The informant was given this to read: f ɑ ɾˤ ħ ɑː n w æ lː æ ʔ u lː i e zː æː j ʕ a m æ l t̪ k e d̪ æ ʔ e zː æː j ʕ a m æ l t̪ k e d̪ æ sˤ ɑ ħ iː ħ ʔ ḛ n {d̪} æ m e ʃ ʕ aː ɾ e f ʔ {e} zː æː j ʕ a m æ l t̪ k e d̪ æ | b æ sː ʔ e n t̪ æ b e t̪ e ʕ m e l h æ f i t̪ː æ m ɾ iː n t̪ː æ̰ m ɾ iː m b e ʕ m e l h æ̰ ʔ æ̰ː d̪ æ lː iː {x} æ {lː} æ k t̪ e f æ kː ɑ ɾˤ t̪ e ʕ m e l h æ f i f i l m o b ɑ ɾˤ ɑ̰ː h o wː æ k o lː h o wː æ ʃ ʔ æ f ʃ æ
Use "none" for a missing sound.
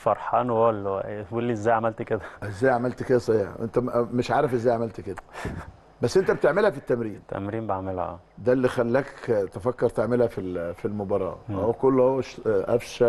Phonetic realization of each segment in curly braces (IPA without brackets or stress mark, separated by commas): t̪, e, x, lː